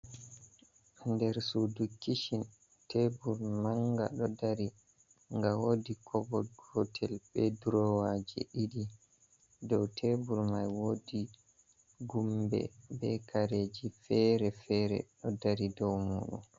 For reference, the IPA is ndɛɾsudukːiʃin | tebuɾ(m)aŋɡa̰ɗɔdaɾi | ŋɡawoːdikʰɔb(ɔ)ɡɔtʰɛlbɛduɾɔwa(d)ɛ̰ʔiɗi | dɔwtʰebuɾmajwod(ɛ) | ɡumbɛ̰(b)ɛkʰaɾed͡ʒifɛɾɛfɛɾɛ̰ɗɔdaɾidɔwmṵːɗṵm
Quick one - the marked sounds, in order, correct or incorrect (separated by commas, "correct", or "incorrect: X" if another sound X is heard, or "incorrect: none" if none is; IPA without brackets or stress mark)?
correct, correct, incorrect: d͡ʒ, incorrect: i, correct